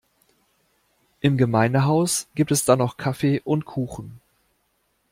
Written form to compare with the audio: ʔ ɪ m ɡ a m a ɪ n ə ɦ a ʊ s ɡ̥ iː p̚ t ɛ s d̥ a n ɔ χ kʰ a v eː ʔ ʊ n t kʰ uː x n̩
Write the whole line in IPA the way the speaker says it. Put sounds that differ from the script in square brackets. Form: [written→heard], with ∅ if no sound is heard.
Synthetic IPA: ʔ ɪ m ɡ [a→ə] m a ɪ n ə ɦ a ʊ s ɡ̥ iː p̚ t ɛ s d̥ a n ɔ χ kʰ a [v→f] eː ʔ ʊ n t kʰ uː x n̩